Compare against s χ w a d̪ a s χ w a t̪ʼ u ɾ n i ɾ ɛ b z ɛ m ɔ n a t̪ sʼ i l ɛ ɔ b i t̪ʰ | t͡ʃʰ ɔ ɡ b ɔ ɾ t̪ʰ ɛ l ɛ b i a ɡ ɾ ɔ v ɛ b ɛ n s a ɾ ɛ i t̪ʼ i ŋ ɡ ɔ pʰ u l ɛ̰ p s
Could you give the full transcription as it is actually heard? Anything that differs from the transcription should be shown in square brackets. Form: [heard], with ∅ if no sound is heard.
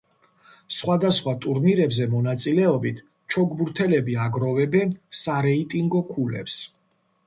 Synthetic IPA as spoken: s χ w a d̪ a s χ w a t̪ʼ u ɾ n i ɾ ɛ b z ɛ m ɔ n a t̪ sʼ i l ɛ ɔ b i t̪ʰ | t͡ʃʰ ɔ ɡ b [u] ɾ t̪ʰ ɛ l ɛ b i a ɡ ɾ ɔ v ɛ b ɛ n s a ɾ ɛ i t̪ʼ i ŋ ɡ ɔ [kʰ] u l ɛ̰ p s